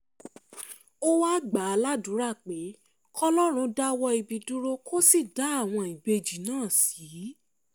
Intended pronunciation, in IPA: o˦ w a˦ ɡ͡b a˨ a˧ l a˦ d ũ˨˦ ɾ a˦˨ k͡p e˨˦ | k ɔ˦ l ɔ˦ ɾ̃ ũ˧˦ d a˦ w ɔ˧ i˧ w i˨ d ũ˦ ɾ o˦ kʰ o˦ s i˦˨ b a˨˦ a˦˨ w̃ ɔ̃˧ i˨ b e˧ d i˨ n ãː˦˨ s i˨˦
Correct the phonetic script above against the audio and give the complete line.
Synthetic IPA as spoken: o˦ w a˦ ɡ͡b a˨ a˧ l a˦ d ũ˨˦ ɾ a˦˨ k͡p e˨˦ | k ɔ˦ l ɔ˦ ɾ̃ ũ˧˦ d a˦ w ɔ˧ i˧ b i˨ d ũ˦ ɾ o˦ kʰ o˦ s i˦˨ d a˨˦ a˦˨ w̃ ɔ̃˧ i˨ b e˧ d͡ʒ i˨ n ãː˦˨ s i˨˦